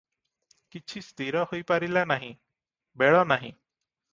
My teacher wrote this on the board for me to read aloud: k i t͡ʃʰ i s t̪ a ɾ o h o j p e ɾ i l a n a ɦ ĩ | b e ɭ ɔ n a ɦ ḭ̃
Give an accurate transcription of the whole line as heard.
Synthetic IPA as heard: k i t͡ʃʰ i s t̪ i ɾ ɔ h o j p a ɾ i l a n a ɦ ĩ | b e ɭ ɔ n a ɦ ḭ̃